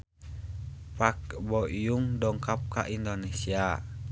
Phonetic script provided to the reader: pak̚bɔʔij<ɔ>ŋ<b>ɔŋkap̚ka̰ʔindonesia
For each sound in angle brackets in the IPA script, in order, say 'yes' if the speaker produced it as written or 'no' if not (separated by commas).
no, no